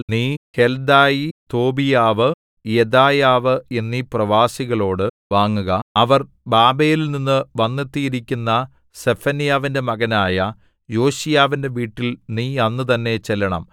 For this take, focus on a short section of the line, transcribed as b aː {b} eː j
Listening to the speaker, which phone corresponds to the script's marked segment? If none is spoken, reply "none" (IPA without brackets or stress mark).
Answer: b